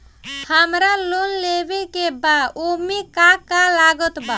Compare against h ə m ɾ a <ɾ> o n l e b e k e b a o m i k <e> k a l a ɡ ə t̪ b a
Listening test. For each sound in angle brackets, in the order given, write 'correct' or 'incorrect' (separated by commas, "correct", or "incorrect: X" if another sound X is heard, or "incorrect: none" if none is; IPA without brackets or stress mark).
incorrect: l, incorrect: a